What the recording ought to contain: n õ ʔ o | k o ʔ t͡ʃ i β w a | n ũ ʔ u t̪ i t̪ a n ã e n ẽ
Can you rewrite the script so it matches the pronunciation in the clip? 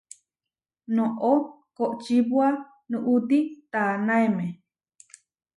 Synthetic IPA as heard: n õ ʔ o | k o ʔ t͡ʃ i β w a | n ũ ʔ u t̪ i t̪ a n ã e m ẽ